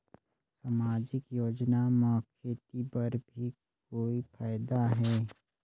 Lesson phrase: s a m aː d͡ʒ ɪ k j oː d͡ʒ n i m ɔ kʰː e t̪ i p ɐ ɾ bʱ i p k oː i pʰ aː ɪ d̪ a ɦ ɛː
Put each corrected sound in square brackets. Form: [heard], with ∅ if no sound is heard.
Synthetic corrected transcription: s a m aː d͡ʒ ɪ k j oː d͡ʒ n [a] m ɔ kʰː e t̪ i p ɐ ɾ bʱ i [k] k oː i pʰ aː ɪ d̪ a ɦ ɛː